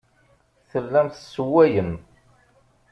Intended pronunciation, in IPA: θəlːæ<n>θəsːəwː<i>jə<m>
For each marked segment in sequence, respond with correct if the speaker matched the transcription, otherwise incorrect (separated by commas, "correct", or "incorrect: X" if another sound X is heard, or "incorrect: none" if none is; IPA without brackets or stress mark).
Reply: incorrect: m, incorrect: æ, correct